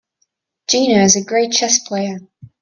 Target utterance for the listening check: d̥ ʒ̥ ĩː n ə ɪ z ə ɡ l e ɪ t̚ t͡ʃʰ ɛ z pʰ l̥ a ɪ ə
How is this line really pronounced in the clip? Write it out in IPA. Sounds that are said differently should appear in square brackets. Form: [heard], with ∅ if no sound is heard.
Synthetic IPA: d̥ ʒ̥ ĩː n ə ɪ z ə ɡ [ɹ] e ɪ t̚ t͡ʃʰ ɛ [s] pʰ l̥ [e] ɪ ə